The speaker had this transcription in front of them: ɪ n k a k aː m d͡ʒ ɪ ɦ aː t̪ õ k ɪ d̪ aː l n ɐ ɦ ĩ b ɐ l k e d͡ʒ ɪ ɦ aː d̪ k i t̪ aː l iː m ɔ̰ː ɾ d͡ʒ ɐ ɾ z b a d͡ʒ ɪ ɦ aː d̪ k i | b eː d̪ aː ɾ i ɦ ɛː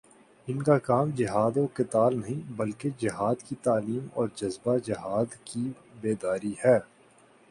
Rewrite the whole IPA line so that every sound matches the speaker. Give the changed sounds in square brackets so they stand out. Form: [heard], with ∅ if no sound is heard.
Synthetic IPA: ɪ n k a k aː m d͡ʒ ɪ ɦ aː [d̪] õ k ɪ [t̪] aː l n ɐ ɦ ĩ b ɐ l k e d͡ʒ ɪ ɦ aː d̪ k i t̪ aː l iː m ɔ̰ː ɾ d͡ʒ ɐ [∅] z b a d͡ʒ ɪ ɦ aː d̪ k i | b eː d̪ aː ɾ i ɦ ɛː